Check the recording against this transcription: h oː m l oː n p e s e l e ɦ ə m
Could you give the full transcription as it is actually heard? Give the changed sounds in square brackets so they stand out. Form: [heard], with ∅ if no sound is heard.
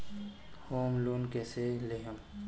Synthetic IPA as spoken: h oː m l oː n [k] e s e l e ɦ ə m